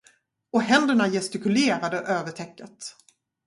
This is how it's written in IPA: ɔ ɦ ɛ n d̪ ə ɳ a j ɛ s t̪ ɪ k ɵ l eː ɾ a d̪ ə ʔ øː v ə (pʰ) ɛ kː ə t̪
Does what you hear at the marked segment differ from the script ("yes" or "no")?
yes